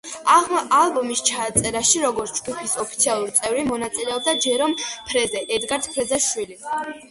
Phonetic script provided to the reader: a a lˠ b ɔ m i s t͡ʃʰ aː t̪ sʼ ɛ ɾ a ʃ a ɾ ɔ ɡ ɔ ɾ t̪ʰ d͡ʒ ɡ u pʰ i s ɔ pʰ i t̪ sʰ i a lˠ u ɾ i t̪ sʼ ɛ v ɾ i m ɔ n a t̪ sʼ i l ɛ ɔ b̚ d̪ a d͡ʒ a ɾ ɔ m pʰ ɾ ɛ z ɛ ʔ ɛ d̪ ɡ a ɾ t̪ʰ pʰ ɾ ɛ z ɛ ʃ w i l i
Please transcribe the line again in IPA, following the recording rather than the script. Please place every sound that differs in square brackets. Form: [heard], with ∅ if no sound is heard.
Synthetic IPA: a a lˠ b ɔ m i s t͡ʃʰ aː t̪ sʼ ɛ ɾ a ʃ [i] ɾ ɔ ɡ ɔ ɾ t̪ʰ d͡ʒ ɡ u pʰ i s ɔ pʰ i t̪ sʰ i a lˠ u ɾ i t̪ sʼ ɛ v ɾ i m ɔ n a t̪ sʼ i l ɛ ɔ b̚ d̪ a d͡ʒ [ɛ] ɾ ɔ m pʰ ɾ ɛ z ɛ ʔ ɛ d̪ ɡ a ɾ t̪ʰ pʰ ɾ ɛ z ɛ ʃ w i l i